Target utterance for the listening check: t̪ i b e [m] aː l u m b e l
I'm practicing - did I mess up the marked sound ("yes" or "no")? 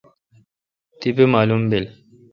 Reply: no